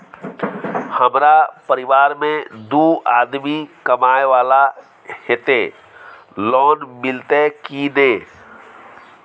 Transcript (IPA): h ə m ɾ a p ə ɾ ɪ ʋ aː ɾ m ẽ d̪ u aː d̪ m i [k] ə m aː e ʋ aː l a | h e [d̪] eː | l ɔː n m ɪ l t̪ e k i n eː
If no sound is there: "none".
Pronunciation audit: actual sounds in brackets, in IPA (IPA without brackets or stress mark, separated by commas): k, t̪